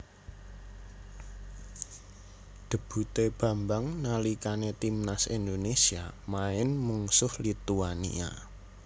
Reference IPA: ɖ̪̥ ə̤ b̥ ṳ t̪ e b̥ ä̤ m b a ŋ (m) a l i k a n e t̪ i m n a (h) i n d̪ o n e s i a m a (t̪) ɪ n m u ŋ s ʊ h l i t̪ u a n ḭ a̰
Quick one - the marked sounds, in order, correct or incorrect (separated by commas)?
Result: incorrect, incorrect, incorrect